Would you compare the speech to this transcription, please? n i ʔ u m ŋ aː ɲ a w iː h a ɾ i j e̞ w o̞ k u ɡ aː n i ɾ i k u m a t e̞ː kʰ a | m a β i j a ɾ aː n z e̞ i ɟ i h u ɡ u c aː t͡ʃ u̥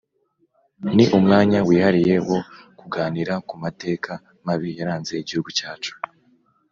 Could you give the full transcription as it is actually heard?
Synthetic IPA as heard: n i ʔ u m ŋ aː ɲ a w iː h a ɾ i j e̞ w o̞ k u ɡ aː n i ɾ a k u m a t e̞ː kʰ a | m a β i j a ɾ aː n z e̞ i ɟ i h u ɡ u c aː t͡ʃ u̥